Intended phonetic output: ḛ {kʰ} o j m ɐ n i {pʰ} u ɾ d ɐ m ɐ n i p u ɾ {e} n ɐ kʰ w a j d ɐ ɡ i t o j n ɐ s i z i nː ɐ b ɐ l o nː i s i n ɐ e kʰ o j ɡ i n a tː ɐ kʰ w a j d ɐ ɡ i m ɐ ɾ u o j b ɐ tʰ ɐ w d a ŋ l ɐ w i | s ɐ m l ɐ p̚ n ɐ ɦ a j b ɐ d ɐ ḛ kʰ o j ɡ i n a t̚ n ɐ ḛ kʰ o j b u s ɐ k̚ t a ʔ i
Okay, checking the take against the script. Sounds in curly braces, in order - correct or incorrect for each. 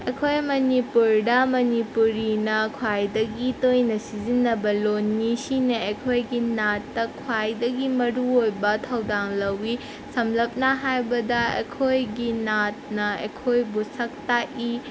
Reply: correct, incorrect: p, incorrect: i

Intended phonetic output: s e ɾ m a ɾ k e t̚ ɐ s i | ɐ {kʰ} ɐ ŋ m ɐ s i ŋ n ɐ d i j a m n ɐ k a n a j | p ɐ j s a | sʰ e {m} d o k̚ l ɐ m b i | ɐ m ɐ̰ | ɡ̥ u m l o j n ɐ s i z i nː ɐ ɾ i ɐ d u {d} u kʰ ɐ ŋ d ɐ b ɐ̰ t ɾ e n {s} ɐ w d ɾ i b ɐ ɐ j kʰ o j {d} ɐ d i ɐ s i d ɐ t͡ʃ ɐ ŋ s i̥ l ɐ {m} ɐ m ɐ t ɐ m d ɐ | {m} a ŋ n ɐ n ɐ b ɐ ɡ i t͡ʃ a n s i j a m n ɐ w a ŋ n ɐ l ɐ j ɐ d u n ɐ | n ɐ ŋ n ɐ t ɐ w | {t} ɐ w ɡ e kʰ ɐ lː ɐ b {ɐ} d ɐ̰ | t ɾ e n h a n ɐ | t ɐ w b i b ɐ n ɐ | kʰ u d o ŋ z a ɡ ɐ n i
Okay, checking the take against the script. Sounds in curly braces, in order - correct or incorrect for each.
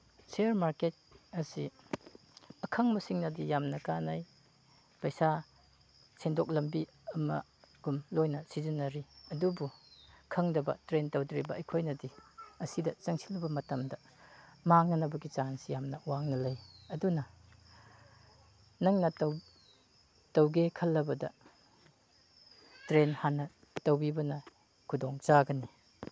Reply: correct, incorrect: n, incorrect: b, incorrect: t, incorrect: n, incorrect: b, correct, correct, correct

